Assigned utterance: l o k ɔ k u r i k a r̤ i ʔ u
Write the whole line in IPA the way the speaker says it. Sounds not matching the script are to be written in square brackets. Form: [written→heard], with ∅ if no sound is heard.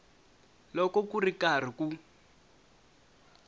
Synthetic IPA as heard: l [o→ɔ] k ɔ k u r i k a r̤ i [ʔ→k] u